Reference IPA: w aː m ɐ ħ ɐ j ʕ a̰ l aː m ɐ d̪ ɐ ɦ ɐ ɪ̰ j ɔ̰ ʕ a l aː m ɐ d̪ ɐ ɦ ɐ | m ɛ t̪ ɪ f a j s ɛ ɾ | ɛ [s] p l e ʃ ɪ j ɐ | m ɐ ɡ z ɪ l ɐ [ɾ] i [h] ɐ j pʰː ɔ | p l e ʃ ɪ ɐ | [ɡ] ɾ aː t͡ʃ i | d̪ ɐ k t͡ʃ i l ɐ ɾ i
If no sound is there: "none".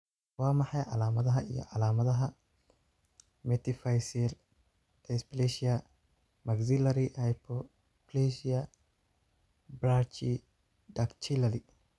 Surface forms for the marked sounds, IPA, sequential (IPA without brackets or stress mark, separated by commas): s, ɾ, h, b